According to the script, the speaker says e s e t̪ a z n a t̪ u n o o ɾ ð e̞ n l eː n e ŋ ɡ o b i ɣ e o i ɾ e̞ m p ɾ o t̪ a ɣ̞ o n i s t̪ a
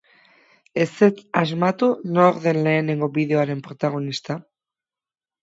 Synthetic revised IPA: e s e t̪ a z m a t̪ u n o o ɾ ð e̞ n l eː n e ŋ ɡ o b i ð e o a ɾ e̞ m p ɾ o t̪ a ɣ̞ o n i s t̪ a